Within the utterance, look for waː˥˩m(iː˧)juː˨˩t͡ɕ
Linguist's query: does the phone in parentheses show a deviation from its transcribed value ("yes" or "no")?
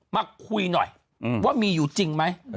no